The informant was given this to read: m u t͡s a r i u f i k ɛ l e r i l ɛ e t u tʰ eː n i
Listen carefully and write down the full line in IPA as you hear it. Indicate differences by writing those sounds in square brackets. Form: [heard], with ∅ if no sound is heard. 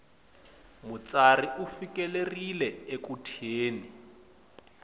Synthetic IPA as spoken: m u t͡s a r i u f i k ɛ l e r i l ɛ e [k] u tʰ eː n i